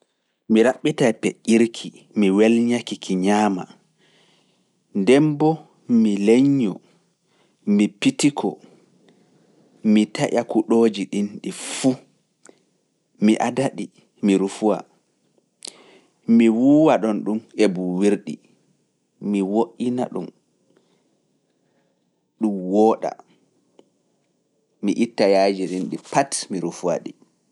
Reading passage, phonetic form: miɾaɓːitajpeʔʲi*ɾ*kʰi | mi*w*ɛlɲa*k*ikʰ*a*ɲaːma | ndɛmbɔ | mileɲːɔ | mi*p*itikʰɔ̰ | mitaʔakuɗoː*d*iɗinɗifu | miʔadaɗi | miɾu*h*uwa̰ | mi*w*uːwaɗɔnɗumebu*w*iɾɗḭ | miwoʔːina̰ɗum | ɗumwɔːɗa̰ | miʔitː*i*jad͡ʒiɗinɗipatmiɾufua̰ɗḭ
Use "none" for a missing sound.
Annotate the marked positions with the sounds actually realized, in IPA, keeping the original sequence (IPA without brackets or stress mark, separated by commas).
ɾ, w, k, i, p, d͡ʒ, f, w, w, a